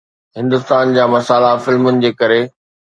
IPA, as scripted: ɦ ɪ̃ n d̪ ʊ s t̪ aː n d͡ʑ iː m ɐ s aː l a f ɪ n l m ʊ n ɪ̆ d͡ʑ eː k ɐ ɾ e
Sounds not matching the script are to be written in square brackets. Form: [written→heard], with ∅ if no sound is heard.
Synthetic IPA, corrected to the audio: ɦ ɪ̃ n d̪ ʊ s t̪ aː n d͡ʑ [iː→aː] m ɐ s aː l a f ɪ [n→∅] l m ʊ n ɪ̆ d͡ʑ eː k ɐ ɾ e